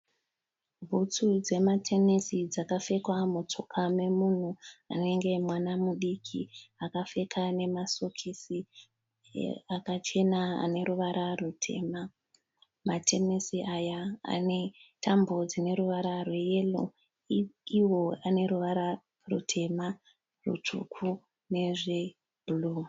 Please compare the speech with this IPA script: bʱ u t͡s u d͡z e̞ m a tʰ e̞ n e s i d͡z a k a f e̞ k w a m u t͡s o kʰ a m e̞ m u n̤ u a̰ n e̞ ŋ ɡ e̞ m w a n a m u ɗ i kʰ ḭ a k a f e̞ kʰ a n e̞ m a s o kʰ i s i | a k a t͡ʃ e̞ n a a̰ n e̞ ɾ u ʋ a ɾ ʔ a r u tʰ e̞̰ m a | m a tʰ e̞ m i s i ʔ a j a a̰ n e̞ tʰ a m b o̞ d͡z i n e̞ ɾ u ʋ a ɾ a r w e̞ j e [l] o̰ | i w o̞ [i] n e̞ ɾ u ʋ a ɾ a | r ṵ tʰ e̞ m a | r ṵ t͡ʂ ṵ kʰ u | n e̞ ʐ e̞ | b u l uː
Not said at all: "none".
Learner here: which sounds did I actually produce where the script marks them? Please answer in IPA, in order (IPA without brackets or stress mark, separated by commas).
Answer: l, a